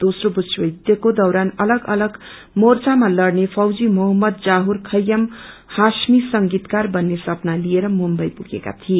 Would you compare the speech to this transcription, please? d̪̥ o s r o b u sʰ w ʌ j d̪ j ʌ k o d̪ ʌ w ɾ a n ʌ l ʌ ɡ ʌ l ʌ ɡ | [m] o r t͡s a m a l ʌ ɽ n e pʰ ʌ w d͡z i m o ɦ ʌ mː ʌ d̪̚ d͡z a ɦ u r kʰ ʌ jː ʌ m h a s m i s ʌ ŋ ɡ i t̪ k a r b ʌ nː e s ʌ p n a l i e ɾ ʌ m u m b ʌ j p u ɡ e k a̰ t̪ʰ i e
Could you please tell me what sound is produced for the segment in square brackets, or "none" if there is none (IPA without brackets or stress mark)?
m